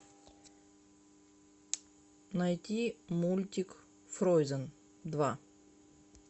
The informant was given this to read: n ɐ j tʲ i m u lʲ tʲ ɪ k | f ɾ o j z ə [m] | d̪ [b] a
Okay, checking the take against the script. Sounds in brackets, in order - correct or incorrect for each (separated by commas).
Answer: incorrect, incorrect